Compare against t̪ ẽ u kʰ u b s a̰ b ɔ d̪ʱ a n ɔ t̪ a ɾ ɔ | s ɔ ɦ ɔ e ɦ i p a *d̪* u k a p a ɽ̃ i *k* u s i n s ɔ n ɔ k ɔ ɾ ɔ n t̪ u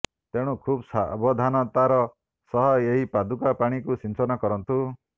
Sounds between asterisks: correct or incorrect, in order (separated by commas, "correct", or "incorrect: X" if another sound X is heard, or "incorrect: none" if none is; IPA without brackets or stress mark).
correct, correct